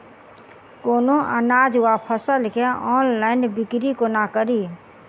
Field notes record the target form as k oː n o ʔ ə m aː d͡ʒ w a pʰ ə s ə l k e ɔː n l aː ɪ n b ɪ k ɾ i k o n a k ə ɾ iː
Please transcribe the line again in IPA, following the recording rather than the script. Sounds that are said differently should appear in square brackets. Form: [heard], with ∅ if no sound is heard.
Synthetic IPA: k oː n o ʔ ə [n] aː d͡ʒ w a pʰ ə s ə l k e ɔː n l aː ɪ n b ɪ k ɾ i k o n a k ə ɾ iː